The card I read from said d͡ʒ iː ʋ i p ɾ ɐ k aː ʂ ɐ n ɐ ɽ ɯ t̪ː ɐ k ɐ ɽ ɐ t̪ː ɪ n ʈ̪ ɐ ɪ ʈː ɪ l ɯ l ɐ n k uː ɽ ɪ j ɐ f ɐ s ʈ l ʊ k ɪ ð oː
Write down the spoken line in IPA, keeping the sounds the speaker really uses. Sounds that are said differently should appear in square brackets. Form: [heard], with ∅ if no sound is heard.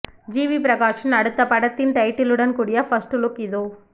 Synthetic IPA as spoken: d͡ʒ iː ʋ i p ɾ ɐ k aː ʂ ɐ n ɐ ɽ ɯ t̪ː ɐ [p] ɐ ɽ ɐ t̪ː ɪ n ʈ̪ ɐ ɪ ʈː ɪ l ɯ [ɽ] ɐ n k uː ɽ ɪ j ɐ f ɐ s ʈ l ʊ k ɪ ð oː